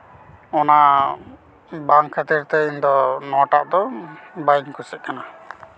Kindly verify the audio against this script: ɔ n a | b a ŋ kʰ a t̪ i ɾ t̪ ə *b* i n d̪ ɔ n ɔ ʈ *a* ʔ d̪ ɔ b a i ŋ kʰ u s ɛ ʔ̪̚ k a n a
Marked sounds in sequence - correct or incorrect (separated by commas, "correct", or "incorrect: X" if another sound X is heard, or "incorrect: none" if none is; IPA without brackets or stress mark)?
incorrect: none, correct